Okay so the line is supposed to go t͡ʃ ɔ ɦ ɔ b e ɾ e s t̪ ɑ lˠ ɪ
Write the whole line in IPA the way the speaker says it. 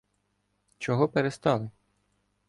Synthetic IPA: t͡ʃ ɔ ɦ ɔ p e ɾ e s t̪ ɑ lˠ ɪ